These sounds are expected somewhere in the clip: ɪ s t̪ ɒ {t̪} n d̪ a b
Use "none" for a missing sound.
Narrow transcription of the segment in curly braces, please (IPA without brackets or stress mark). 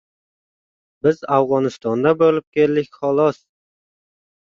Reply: none